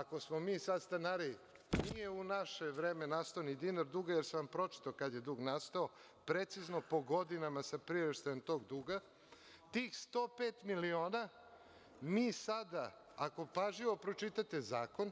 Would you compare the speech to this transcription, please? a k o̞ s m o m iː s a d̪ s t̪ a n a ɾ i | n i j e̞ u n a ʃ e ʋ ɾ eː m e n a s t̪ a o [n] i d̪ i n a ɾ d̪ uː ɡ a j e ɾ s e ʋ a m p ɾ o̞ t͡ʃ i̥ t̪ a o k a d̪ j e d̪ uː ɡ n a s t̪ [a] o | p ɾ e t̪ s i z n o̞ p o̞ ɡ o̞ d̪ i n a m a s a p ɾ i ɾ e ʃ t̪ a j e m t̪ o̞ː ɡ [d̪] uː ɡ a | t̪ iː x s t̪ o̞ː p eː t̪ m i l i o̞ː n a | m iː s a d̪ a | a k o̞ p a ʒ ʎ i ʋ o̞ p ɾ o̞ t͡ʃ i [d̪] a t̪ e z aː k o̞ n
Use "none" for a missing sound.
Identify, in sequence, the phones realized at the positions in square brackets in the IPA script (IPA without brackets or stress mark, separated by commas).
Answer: n, a, d̪, t̪